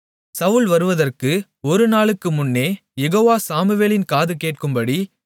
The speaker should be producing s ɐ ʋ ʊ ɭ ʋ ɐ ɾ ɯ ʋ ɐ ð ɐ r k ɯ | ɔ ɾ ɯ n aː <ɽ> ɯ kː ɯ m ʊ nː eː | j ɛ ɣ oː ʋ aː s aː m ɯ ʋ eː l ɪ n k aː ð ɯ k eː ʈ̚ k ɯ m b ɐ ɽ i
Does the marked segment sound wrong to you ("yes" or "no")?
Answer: yes